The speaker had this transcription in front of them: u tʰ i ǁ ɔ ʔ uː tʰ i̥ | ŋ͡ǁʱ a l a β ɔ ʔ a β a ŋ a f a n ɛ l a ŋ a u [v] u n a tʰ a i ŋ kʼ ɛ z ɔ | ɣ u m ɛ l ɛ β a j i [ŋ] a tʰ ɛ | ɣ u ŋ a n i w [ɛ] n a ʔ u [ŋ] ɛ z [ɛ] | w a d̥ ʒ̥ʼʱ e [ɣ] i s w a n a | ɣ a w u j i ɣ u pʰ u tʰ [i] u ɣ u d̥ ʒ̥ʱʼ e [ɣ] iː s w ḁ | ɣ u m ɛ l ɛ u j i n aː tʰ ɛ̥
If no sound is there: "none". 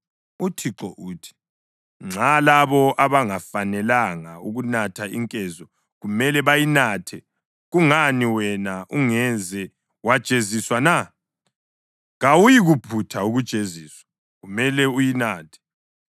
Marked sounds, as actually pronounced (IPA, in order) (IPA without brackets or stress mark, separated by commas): ɣ, n, ɛ, ŋ, ɛ, z, a, z